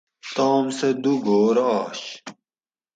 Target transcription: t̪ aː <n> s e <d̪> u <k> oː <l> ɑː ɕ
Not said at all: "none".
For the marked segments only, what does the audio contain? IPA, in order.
m, d̪, ɡ, ɾ

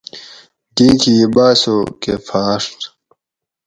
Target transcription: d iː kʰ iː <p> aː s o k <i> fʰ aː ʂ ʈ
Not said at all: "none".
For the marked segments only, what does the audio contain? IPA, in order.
b, e

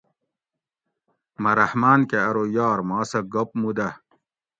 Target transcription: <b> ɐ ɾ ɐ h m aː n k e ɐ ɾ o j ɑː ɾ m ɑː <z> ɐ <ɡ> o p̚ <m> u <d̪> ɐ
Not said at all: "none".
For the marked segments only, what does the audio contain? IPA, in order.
m, s, ɡ, m, d̪

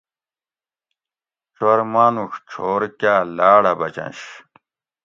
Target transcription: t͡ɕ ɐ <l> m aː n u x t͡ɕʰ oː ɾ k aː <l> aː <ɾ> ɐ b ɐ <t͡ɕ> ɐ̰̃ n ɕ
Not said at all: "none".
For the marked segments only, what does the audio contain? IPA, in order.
ɾ, l, ɽ, t͡ɕ

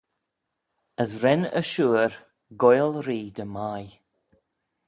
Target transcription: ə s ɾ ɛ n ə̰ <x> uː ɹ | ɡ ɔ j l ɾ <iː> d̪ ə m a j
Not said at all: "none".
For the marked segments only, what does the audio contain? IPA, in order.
ʃ, iː

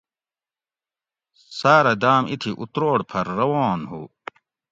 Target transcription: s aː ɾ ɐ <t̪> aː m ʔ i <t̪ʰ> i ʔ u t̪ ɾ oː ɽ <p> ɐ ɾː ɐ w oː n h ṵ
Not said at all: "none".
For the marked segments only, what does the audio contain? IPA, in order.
d̪, t̪ʰ, pʰ

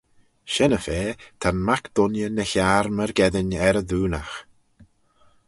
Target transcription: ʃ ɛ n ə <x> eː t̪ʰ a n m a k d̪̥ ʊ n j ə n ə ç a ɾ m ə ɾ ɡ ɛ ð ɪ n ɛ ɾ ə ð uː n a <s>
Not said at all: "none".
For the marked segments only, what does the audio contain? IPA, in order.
f, x

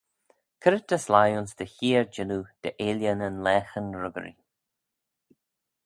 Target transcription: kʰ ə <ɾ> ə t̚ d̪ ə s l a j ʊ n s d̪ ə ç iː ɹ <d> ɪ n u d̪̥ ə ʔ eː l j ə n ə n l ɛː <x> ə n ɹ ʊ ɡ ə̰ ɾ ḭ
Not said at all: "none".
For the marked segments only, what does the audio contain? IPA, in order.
ɾ, d͡ʒ, x

